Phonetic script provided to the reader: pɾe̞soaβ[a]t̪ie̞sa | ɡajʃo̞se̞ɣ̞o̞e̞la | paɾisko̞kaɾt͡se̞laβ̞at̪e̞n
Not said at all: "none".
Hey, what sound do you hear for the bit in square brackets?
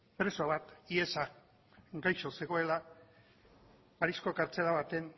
a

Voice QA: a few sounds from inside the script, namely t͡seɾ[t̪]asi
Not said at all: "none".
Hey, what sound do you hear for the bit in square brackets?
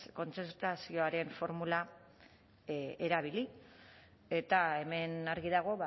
t̪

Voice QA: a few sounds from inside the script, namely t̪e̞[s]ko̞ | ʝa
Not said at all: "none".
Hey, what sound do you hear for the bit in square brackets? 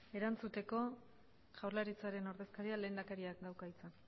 none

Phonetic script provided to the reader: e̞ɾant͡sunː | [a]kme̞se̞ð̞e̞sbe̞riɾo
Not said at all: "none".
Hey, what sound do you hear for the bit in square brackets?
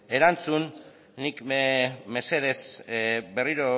i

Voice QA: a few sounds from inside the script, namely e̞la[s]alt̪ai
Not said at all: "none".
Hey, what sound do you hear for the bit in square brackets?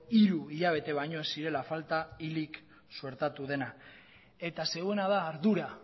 f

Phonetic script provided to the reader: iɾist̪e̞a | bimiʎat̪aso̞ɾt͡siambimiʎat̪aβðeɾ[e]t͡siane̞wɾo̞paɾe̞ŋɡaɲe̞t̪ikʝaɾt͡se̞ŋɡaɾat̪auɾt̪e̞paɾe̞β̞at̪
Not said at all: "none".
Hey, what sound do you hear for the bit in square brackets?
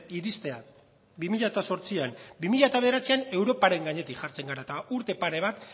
a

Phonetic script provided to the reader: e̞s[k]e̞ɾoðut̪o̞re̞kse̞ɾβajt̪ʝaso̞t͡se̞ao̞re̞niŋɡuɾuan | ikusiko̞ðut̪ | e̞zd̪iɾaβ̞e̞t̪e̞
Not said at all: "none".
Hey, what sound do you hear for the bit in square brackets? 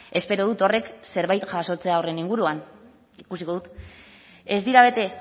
p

